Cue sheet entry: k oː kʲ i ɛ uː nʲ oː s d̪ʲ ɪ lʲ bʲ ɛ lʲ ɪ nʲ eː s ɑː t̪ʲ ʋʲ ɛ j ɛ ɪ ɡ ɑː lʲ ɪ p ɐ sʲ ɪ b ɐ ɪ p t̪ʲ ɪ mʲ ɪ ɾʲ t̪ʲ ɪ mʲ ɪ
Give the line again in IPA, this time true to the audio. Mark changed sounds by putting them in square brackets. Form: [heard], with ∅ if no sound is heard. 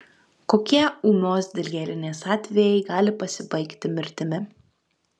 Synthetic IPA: k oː kʲ i ɛ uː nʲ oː s d̪ʲ ɪ lʲ [ɡʲ] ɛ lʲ ɪ nʲ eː s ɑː t̪ʲ ʋʲ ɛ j ɛ ɪ ɡ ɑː lʲ ɪ p ɐ sʲ ɪ b ɐ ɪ [k] t̪ʲ ɪ mʲ ɪ ɾʲ t̪ʲ ɪ mʲ ɪ